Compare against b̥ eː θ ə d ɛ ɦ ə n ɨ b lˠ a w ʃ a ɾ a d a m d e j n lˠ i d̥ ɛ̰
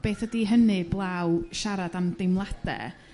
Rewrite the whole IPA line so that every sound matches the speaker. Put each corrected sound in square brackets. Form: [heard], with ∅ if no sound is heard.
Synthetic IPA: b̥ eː θ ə d [i] ɦ ə n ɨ b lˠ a w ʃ a ɾ a d a m d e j [m] lˠ [a] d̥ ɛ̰